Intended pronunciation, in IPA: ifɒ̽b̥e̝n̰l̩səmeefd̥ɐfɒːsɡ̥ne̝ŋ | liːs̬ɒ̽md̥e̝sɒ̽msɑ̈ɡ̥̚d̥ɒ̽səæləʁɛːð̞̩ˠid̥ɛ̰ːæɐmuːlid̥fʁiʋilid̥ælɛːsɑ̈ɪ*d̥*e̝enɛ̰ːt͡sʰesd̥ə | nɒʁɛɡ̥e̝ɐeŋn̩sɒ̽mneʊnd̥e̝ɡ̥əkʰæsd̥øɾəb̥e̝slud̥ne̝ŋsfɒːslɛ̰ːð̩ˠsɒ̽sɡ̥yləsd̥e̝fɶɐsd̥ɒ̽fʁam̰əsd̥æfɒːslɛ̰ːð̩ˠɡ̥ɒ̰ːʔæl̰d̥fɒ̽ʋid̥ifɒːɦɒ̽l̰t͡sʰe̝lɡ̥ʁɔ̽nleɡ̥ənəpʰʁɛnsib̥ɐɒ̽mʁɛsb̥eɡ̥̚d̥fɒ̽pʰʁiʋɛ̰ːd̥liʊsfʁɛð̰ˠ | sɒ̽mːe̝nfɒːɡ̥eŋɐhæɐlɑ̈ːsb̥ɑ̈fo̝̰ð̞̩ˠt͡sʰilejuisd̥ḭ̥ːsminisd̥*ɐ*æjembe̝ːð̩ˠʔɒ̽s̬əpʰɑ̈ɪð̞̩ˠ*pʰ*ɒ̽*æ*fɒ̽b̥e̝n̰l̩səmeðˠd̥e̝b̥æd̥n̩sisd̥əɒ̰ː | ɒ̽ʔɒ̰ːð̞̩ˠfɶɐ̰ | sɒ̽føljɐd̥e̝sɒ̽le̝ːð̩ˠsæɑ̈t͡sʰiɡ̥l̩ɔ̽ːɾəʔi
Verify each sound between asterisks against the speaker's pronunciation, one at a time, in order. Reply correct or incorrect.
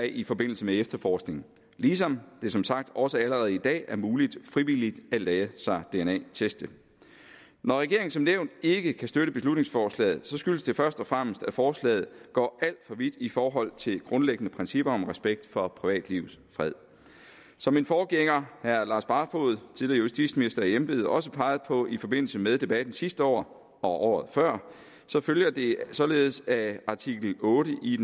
correct, correct, correct, incorrect: i

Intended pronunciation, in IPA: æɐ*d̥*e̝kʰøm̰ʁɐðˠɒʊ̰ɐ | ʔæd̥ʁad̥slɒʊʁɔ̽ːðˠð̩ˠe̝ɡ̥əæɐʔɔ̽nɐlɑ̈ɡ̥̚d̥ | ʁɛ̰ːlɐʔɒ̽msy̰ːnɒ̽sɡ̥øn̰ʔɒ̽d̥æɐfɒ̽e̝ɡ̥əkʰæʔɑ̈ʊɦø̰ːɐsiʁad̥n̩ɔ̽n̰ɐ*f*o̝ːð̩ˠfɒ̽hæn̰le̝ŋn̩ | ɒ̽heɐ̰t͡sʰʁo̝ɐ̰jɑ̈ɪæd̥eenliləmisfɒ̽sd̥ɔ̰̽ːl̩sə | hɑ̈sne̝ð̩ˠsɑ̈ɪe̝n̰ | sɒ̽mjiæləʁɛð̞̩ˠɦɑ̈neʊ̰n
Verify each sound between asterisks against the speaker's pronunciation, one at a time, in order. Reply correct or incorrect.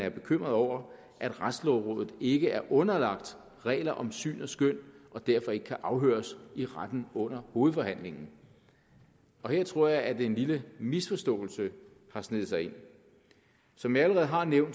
incorrect: b̥, incorrect: h

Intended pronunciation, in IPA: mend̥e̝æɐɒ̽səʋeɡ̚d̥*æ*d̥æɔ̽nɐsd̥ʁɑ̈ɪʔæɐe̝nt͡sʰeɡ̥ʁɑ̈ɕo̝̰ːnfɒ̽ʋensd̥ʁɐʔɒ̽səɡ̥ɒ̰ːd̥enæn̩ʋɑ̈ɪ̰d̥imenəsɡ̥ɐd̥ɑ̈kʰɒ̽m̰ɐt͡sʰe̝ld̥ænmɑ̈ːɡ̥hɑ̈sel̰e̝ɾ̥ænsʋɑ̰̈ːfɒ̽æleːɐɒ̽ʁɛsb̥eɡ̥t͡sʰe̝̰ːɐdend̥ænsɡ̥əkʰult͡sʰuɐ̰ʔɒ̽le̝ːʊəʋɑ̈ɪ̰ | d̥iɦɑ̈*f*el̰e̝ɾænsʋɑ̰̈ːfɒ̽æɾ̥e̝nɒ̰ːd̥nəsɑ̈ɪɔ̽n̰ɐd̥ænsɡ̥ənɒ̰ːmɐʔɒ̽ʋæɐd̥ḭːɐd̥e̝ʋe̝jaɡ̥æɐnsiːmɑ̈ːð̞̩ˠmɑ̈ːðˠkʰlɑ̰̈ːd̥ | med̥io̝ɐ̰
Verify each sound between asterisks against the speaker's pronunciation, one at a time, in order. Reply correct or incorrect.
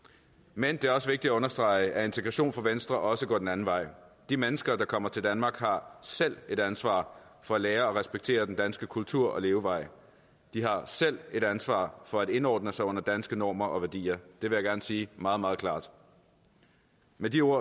incorrect: i, incorrect: s

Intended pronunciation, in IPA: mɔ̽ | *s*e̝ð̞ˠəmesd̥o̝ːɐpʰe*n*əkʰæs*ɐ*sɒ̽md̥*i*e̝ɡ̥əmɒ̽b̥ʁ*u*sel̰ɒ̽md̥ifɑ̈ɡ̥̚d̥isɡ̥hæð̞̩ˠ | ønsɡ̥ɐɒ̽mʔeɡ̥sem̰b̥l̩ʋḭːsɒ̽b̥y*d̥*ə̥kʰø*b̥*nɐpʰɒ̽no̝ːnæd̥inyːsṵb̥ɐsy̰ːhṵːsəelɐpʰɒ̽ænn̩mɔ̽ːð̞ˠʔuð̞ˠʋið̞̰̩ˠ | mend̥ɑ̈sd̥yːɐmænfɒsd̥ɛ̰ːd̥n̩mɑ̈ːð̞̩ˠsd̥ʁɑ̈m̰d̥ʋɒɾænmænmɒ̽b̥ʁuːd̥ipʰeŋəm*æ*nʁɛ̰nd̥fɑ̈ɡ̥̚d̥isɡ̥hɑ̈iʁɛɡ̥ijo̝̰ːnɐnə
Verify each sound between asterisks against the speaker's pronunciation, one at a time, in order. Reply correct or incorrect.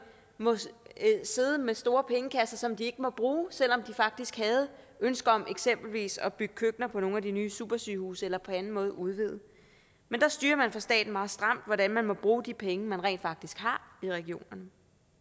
correct, incorrect: ŋ, correct, correct, incorrect: uː, incorrect: ɡ̥, incorrect: ɡ̥, correct

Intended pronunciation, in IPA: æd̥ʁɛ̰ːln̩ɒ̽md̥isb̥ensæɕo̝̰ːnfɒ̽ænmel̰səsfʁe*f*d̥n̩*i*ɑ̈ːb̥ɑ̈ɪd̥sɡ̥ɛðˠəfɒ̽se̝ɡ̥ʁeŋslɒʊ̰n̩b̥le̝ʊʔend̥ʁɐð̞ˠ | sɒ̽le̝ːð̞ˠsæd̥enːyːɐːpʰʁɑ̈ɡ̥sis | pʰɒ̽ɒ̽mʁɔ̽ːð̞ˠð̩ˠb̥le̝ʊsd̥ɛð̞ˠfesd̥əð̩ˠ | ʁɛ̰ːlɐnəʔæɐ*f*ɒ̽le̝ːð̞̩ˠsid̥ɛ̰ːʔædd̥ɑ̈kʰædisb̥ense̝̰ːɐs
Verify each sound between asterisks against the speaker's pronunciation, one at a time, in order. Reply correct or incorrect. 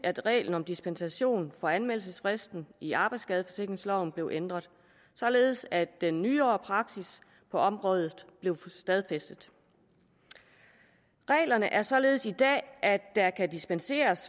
incorrect: s, correct, incorrect: s

